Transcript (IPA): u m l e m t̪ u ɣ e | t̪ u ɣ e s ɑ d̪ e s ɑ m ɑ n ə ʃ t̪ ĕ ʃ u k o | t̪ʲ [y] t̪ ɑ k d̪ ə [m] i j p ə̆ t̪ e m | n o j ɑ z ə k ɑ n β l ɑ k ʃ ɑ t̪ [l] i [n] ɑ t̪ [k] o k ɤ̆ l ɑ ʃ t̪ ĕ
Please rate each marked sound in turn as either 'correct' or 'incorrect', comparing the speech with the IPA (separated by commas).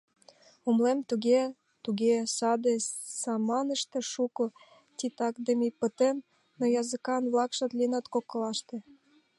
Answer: incorrect, correct, correct, correct, correct